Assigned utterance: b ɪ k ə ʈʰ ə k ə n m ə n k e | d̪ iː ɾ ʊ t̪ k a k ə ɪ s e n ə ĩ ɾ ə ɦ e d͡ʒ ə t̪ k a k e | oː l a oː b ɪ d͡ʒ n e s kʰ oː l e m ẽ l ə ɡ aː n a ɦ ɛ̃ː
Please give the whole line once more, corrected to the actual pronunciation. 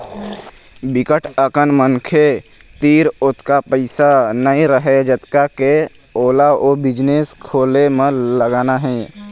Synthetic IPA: b ɪ k ə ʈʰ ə k ə n m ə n kʰ e | t̪ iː ɾ ʊ t̪ k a p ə ɪ s a n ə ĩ ɾ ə ɦ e d͡ʒ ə t̪ k a k e | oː l a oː b ɪ d͡ʒ n e s kʰ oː l e m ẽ l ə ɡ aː n a ɦ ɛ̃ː